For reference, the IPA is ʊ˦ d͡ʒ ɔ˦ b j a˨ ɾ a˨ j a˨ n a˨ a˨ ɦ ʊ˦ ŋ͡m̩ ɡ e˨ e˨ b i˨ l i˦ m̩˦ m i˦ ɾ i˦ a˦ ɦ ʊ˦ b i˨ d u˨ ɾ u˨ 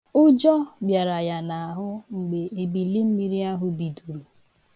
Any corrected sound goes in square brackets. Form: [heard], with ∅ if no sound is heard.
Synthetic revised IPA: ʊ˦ d͡ʒ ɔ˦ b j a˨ ɾ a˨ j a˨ n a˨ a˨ ɦ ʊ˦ ŋ͡m̩ [ɡ͡b] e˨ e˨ b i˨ l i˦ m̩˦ m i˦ ɾ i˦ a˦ ɦ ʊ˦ b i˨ d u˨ ɾ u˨